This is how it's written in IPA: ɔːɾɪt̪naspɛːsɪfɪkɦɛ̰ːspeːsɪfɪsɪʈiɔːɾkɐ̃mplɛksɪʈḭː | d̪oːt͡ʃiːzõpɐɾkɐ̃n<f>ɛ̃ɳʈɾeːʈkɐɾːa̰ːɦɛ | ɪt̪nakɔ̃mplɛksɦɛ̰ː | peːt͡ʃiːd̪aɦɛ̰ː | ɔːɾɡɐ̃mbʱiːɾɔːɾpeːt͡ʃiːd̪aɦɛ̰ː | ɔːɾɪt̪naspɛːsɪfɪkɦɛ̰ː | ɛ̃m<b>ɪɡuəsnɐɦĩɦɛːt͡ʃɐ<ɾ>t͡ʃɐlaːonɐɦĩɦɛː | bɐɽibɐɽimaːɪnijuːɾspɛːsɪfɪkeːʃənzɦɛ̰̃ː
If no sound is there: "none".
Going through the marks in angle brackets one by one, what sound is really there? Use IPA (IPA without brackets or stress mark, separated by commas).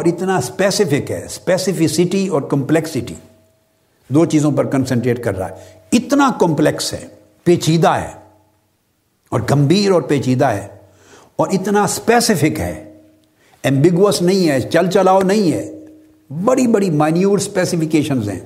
s, b, l